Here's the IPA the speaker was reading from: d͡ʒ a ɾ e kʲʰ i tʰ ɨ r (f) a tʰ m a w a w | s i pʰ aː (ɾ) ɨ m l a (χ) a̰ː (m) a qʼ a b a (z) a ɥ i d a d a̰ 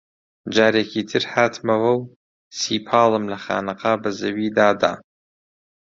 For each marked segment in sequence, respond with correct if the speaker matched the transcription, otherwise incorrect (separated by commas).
incorrect, incorrect, correct, incorrect, correct